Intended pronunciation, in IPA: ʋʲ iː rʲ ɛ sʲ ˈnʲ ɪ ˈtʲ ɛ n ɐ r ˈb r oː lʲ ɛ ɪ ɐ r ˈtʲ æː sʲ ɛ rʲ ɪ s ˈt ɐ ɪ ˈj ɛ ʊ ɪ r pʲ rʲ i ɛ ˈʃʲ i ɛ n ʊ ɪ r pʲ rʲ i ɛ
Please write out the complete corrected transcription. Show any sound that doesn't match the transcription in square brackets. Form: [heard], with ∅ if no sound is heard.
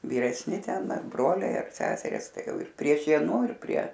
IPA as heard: ʋʲ iː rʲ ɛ sʲ ˈnʲ ɪ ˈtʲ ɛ n ɐ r ˈb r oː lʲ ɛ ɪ ɐ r [ˈsʲ] æː sʲ ɛ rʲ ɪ s ˈt ɐ ɪ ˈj ɛ ʊ ɪ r pʲ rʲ i ɛ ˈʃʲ i ɛ n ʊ ɪ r pʲ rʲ i ɛ